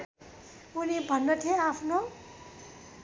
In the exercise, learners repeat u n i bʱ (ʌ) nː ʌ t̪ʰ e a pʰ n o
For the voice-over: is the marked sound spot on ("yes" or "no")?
yes